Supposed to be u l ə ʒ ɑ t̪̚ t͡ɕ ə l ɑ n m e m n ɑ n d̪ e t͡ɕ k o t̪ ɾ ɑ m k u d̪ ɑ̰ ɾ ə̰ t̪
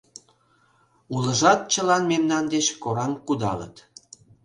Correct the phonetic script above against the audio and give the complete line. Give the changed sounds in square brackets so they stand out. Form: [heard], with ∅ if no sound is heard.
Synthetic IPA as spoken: u l ə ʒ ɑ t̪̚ t͡ɕ ə l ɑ n m e m n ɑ n d̪ e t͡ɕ k o [∅] ɾ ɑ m k u d̪ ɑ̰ [l] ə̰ t̪